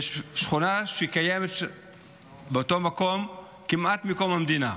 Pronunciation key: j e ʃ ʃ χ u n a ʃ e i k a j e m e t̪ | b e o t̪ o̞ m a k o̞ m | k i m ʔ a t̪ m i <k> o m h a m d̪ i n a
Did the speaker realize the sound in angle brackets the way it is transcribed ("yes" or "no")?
yes